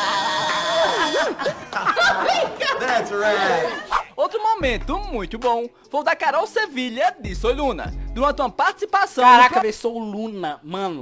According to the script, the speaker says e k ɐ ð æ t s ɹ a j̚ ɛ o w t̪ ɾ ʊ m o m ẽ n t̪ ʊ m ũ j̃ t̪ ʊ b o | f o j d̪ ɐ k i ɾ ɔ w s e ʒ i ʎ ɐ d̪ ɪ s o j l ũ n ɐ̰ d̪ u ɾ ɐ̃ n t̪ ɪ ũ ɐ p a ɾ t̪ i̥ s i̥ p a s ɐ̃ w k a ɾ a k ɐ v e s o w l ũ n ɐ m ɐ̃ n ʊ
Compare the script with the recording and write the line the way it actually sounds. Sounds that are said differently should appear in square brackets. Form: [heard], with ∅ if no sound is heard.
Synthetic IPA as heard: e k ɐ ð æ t s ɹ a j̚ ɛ o w t̪ ɾ ʊ m o m ẽ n t̪ ʊ m ũ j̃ t̪ ʊ b [õ] | f o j d̪ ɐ k [a] ɾ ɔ w s e [v] i ʎ ɐ d̪ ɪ s o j l ũ n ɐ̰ d̪ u ɾ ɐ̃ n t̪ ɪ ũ ɐ p a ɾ t̪ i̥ s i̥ p a s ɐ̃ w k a ɾ a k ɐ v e s o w l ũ n ɐ m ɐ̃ n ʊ